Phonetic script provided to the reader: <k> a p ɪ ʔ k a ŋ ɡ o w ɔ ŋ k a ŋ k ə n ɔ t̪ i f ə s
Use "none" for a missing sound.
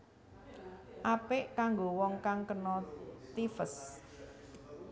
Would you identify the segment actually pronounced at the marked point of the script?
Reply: ʔ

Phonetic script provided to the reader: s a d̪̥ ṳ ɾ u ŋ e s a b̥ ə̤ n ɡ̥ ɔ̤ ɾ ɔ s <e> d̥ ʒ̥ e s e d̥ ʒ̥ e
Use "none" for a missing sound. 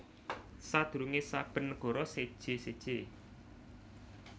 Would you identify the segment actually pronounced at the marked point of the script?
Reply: e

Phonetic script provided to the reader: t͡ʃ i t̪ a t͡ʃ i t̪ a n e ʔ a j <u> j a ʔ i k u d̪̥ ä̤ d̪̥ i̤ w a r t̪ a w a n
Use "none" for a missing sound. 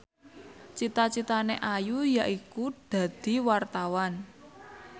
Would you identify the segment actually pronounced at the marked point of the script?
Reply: u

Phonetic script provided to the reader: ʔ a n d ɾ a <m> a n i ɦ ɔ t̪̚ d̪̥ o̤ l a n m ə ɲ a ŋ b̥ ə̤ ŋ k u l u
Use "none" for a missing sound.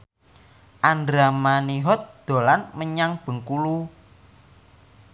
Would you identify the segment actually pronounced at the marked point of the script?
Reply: m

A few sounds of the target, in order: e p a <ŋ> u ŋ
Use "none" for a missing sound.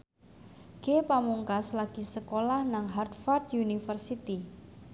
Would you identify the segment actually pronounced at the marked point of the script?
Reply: m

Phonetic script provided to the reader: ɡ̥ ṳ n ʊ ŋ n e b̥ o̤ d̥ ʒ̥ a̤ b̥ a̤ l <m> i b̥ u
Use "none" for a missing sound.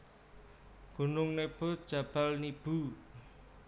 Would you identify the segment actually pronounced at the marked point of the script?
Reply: n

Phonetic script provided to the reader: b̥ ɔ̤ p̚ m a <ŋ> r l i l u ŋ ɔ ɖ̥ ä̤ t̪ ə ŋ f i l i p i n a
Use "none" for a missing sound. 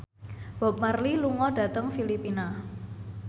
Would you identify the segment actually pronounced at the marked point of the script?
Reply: none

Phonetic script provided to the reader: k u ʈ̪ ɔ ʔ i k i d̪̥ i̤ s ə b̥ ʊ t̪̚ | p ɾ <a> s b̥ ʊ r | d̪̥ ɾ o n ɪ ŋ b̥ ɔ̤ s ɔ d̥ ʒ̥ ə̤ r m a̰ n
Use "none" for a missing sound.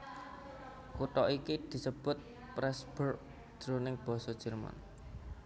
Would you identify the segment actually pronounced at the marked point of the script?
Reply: ɛ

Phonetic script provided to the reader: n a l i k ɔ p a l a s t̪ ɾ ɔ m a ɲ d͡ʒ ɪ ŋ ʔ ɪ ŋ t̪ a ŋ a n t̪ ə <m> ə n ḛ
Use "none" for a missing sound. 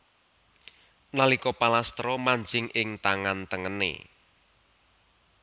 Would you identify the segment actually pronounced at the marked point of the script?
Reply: ŋ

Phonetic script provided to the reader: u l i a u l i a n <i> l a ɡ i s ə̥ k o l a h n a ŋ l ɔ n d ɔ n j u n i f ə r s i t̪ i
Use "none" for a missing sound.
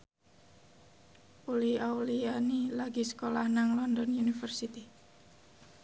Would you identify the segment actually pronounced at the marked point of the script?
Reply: i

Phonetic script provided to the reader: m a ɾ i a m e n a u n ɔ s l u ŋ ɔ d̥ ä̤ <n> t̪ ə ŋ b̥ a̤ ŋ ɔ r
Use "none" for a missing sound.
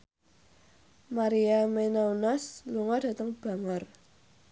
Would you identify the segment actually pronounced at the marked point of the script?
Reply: none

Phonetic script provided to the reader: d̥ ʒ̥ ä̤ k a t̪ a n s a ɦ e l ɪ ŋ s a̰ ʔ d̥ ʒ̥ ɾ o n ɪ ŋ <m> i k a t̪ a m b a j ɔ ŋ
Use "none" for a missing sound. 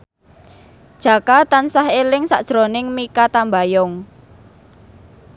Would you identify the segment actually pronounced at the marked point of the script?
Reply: m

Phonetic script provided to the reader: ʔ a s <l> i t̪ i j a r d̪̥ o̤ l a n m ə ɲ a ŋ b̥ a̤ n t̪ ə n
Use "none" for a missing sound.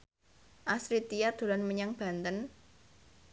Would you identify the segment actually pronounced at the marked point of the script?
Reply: ɾ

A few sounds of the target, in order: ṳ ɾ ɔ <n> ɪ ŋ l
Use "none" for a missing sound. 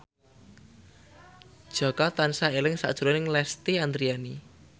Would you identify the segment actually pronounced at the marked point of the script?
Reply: n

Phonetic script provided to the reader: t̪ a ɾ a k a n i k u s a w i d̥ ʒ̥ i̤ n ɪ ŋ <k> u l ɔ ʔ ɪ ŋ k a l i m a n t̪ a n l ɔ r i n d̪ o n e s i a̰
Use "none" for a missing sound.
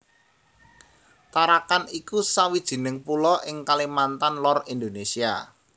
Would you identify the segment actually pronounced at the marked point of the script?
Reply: p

